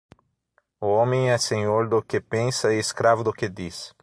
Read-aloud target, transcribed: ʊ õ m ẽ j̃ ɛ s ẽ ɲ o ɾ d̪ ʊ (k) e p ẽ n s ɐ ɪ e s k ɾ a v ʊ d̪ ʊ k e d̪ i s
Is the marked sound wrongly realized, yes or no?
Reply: no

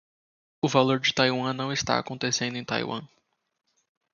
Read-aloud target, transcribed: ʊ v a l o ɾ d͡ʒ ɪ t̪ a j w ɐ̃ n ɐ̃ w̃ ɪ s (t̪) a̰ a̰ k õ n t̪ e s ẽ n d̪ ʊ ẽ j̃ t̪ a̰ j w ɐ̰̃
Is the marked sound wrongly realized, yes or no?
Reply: no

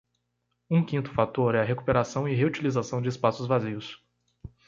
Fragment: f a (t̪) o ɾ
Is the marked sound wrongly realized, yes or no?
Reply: no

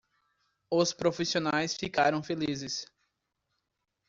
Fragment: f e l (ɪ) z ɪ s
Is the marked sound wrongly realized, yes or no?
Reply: yes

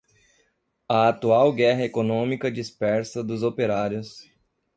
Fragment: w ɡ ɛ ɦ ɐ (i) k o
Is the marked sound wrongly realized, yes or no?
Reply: yes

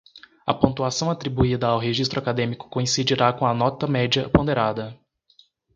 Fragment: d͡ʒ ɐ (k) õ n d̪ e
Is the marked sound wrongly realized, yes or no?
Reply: yes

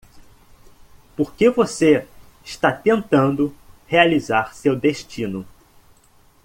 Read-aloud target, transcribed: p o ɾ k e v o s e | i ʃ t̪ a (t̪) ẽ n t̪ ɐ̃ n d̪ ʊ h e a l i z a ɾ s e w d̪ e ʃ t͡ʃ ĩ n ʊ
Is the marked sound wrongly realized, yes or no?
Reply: no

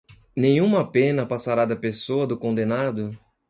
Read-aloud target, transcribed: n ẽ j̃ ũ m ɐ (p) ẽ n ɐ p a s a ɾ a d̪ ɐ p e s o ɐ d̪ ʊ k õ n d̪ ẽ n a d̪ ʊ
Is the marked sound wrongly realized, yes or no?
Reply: no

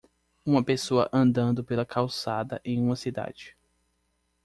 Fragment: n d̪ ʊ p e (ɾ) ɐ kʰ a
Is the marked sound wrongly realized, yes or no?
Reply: yes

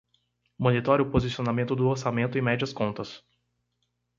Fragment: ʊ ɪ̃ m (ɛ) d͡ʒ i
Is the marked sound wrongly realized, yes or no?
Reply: no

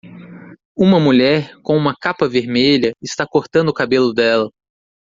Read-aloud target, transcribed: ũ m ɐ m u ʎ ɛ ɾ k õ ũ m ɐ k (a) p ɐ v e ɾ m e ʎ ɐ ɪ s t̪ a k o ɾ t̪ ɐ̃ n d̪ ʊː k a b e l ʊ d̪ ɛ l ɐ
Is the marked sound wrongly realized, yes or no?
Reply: no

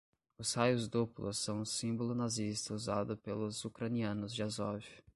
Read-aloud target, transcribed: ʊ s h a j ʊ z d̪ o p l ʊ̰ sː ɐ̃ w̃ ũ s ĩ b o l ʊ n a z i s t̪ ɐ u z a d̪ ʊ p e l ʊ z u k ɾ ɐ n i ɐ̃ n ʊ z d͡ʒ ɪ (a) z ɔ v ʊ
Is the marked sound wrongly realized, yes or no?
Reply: no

